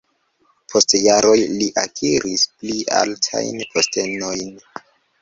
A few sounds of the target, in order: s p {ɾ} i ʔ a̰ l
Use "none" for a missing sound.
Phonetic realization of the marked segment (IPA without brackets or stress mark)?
l